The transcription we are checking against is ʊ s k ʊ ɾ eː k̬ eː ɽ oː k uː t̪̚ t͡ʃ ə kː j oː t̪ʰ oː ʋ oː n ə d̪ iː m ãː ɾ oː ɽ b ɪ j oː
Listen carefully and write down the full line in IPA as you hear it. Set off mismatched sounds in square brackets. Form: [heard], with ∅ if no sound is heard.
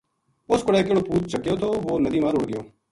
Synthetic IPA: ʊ s k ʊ [ɽ] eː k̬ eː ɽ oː [p] uː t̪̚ t͡ʃ ə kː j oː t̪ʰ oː ʋ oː n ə d̪ iː m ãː ɾ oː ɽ [ɡ] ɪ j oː